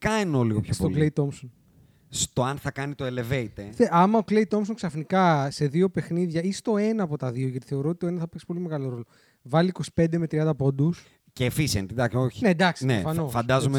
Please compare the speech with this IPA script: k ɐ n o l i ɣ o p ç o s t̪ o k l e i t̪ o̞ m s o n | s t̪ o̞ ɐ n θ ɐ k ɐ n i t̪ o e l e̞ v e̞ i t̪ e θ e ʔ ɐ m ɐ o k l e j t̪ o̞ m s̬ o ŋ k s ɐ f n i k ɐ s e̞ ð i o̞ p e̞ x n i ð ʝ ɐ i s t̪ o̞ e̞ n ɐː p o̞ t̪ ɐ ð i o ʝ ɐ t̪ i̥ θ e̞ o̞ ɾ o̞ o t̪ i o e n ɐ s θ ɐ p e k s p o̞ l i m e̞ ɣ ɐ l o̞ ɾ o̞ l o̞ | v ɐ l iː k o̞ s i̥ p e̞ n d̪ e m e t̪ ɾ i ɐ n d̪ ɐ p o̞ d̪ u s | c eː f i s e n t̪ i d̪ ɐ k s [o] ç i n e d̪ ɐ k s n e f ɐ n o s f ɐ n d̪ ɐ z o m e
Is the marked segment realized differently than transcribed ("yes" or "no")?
no